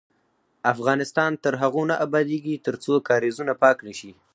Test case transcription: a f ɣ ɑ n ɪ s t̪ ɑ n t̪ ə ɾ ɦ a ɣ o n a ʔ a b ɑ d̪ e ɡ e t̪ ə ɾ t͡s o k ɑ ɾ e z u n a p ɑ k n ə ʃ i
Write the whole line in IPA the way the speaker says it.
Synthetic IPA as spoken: a f ɣ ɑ n ɪ s t̪ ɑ n t̪ ə ɾ ɦ a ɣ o n a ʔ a b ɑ d̪ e ɡ i t̪ ə ɾ t͡s o k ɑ ɾ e z u n a p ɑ k n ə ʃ i